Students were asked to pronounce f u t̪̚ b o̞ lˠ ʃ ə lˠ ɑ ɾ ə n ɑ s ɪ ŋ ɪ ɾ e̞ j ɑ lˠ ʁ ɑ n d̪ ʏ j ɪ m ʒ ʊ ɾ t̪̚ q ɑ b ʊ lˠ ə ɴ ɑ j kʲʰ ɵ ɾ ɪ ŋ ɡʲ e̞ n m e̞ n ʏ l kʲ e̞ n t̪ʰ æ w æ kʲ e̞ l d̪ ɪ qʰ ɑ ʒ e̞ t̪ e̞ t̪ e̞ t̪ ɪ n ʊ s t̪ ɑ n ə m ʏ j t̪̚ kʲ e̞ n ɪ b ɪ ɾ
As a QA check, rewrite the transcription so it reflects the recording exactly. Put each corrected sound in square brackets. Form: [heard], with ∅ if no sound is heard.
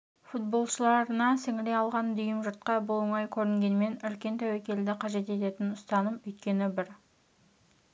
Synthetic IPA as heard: f u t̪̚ b o̞ lˠ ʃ ə lˠ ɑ ɾ ə n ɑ s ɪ ŋ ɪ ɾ e̞ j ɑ lˠ ʁ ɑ n d̪ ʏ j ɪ m ʒ ʊ ɾ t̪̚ q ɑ b ʊ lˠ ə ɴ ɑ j kʲʰ ɵ ɾ ɪ ŋ ɡʲ e̞ n m e̞ n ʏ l kʲ e̞ n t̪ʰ æ w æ kʲ e̞ l d̪ ɪ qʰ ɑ ʒ e̞ t̪ e̞ t̪ e̞ t̪ ɪ n ʊ s t̪ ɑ n ə m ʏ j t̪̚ kʲ e̞ n ɪ b ɪ ɾ